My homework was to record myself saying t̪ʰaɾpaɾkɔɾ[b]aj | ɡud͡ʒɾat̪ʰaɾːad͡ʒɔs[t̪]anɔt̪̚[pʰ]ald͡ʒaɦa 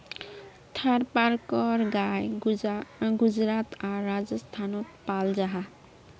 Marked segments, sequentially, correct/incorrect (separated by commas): incorrect, incorrect, incorrect